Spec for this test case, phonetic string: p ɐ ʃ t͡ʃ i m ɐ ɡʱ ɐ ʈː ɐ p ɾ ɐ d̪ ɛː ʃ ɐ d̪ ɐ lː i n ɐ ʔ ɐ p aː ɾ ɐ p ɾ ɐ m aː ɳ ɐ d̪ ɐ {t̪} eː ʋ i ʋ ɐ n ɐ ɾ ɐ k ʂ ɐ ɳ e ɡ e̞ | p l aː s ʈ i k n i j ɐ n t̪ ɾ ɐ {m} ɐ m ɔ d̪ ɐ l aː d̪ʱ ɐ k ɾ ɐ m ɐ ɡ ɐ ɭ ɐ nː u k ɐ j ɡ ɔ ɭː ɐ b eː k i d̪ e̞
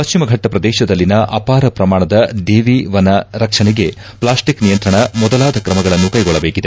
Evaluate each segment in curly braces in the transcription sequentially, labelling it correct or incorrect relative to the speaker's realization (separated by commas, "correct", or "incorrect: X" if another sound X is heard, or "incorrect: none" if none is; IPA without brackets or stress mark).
incorrect: d̪, incorrect: ɳ